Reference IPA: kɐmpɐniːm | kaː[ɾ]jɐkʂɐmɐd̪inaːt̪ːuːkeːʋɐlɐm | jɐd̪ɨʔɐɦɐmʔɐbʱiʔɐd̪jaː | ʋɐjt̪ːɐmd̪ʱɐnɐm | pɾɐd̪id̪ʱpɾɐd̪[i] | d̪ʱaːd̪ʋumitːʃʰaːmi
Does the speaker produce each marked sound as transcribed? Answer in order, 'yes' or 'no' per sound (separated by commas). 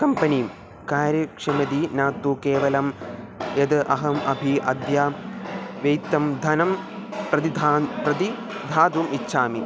yes, yes